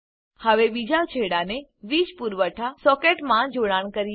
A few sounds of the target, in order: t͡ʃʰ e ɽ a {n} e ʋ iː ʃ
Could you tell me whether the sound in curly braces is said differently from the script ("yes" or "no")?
no